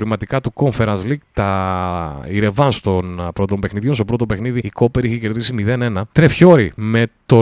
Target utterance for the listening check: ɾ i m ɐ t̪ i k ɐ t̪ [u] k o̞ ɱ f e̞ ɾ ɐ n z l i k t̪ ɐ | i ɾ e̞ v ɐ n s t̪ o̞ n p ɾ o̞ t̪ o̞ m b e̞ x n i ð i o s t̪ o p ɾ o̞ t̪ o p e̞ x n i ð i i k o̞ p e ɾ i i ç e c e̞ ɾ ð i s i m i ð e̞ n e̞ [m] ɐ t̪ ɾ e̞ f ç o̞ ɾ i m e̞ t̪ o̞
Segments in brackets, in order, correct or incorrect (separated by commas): correct, incorrect